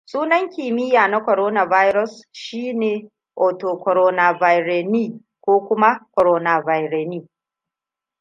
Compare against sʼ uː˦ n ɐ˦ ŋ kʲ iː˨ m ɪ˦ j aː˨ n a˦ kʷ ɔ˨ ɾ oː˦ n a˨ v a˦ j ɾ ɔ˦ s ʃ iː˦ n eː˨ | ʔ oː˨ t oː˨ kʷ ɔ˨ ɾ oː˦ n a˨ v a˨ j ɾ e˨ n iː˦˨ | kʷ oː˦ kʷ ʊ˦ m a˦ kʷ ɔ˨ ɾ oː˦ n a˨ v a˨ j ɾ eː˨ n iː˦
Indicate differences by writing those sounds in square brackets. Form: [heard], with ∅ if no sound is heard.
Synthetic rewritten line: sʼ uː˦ n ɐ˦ ŋ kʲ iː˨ m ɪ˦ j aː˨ n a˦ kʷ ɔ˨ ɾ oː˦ n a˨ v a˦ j ɾ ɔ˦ s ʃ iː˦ n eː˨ | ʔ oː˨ t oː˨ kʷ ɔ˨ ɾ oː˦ n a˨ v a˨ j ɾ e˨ n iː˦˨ | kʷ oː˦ kʷ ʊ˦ m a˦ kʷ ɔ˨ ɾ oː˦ n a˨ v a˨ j ɾ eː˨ n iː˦